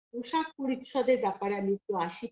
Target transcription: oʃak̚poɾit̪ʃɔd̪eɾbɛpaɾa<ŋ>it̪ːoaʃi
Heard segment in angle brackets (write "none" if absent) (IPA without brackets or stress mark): m